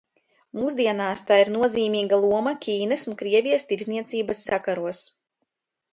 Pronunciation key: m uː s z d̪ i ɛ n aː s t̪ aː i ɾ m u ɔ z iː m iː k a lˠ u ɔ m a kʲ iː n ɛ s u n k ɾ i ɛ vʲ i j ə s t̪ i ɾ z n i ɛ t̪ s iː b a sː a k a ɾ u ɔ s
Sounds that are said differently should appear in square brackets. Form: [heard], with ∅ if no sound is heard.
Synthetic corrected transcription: m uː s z d̪ i ɛ n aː s t̪ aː i ɾ [n] u ɔ z iː m iː [ɡ] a lˠ u ɔ m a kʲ iː n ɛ s u n k ɾ i ɛ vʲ i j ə s t̪ i ɾ z n i ɛ t̪ s iː b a sː a k a ɾ u ɔ s